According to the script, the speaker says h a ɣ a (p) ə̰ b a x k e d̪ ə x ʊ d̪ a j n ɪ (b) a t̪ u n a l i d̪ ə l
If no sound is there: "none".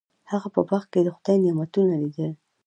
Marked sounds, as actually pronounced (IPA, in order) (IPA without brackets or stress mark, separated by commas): p, m